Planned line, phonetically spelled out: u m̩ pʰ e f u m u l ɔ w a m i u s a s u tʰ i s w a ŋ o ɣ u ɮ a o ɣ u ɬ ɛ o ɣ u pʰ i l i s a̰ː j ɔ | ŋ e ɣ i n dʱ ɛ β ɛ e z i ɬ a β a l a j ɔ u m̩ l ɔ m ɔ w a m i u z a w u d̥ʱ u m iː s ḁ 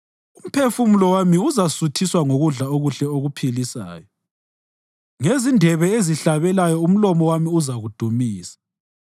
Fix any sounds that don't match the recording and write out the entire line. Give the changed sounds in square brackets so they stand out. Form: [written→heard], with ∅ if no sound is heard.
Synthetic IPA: u m̩ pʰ e f u m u l ɔ w a m i u [s→z] a s u tʰ i s w a ŋ o ɣ u ɮ a o ɣ u ɬ ɛ o ɣ u pʰ i l i s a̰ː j ɔ | ŋ e [ɣ→z] i n dʱ ɛ β ɛ e z i ɬ a β [a→ɛ] l a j ɔ u m̩ l ɔ m ɔ w a m i u z a [w→ɣ] u d̥ʱ u m iː s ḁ